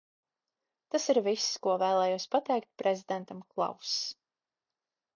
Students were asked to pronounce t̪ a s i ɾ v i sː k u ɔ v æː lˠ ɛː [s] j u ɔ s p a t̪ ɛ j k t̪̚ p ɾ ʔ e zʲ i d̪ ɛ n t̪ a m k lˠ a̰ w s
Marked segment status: incorrect: none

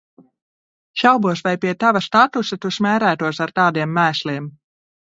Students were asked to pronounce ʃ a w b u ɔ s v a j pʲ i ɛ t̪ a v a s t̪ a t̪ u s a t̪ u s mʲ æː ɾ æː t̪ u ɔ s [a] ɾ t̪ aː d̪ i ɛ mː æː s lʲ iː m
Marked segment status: correct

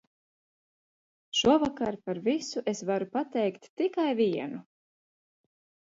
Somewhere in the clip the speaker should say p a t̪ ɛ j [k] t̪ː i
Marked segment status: correct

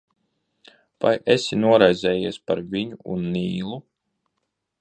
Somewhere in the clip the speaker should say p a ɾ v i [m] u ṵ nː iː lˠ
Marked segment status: incorrect: ɲ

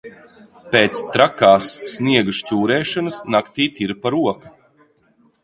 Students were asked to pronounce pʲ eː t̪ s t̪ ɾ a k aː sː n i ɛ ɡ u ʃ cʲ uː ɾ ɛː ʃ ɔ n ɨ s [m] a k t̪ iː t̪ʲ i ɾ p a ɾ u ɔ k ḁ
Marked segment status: incorrect: n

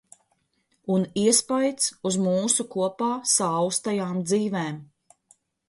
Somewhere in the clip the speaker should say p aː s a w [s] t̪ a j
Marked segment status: correct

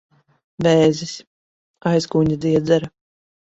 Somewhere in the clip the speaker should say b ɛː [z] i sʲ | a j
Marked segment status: correct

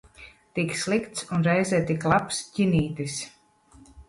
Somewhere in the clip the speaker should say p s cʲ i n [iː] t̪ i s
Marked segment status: correct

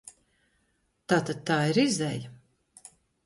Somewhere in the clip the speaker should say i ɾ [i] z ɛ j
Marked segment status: correct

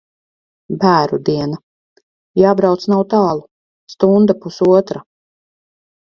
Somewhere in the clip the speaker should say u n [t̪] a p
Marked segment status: incorrect: d̪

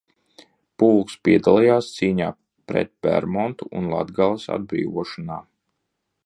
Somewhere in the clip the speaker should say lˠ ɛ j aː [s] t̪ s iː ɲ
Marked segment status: correct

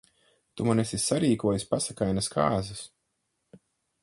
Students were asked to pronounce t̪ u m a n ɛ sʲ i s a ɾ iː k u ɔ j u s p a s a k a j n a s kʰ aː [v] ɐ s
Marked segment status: incorrect: z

